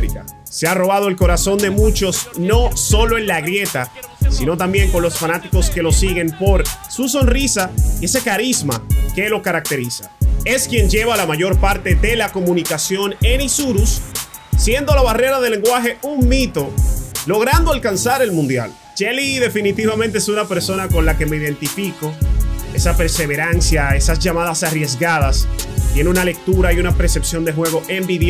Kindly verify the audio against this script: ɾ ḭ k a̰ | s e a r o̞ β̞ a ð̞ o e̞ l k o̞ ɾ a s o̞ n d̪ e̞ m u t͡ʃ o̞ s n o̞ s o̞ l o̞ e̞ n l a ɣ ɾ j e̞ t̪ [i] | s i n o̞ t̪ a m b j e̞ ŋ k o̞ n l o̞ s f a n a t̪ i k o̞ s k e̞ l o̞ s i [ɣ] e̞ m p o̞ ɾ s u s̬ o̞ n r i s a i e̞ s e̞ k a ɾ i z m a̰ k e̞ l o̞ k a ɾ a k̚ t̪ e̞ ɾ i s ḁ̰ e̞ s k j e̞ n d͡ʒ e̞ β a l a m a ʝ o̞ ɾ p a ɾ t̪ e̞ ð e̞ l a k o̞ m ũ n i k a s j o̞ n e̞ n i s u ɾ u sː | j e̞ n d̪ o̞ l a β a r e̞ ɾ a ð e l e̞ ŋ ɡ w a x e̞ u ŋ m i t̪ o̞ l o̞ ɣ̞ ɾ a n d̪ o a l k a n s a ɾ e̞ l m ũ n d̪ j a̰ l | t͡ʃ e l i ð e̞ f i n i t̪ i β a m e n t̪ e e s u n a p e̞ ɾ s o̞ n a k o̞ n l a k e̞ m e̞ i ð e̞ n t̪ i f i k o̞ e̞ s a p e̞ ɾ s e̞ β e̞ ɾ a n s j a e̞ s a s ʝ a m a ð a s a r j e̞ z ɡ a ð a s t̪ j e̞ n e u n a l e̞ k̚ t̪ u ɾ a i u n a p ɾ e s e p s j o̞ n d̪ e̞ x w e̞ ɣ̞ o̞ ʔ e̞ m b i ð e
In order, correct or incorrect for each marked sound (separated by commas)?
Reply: incorrect, correct